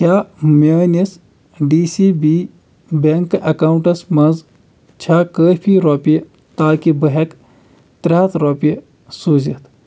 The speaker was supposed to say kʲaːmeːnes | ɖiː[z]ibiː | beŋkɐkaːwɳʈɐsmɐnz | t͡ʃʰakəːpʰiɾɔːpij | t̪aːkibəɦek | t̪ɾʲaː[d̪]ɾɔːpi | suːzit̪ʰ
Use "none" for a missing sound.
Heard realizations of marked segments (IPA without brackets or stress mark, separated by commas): s, t̪